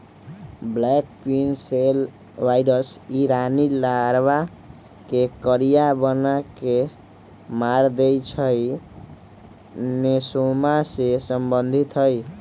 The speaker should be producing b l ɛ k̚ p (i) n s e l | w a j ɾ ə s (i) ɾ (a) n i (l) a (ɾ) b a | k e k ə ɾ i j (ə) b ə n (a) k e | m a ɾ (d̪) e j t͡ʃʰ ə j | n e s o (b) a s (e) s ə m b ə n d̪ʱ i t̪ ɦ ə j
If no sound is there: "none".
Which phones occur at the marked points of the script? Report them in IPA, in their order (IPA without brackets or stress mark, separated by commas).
i, i, a, l, ɾ, a, a, d̪, m, e